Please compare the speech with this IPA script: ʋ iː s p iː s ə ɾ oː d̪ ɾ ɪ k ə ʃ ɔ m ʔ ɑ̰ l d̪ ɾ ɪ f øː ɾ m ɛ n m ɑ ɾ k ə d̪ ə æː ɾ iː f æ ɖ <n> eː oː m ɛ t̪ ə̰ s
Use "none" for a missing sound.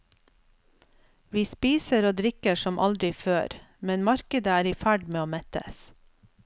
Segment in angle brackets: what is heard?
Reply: m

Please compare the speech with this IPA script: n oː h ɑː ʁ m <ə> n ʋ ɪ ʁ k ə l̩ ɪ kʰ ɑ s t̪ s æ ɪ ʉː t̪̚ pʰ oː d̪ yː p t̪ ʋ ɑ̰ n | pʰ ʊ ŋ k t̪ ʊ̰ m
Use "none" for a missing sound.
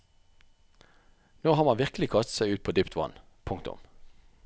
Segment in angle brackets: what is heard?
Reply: ɑ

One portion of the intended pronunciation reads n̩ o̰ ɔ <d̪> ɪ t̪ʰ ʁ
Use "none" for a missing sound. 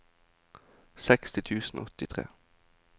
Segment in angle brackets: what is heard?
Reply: t̪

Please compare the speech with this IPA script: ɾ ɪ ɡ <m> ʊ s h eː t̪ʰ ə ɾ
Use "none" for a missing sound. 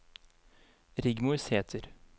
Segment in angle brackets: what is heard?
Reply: m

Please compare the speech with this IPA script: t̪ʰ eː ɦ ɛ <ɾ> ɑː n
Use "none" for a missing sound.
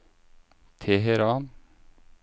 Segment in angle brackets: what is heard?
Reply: ɾ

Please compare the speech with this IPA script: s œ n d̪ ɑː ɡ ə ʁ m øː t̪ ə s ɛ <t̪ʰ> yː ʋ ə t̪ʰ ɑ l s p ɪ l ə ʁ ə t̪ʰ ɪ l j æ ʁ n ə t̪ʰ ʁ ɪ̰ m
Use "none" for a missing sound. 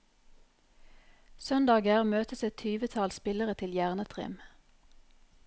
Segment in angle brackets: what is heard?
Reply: t̪ʰ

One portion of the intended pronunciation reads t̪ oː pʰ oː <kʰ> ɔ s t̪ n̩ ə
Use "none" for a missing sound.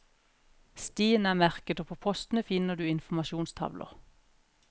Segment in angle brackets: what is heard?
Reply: pʰ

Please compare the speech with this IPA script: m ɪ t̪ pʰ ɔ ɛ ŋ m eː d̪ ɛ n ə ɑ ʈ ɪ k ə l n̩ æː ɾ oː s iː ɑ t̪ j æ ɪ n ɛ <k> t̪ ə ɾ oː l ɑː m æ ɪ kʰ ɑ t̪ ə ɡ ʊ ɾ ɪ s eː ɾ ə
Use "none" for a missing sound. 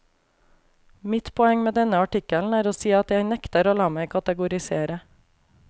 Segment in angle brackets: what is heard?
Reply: k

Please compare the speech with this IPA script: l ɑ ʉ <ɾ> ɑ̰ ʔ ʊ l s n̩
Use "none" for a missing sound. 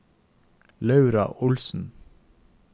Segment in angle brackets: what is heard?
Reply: ɾ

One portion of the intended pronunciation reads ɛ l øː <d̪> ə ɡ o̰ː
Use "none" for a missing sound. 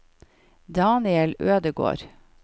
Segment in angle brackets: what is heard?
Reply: d̪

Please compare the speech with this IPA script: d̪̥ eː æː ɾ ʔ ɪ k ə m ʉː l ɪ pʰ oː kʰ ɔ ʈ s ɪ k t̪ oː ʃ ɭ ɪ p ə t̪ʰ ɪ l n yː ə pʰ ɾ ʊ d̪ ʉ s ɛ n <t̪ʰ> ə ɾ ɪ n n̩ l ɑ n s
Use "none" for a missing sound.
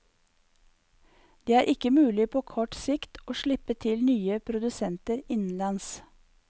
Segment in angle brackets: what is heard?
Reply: t̪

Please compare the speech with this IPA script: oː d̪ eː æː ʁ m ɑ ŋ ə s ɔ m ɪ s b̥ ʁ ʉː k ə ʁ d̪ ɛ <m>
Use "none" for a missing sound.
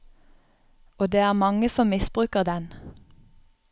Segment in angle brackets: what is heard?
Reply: n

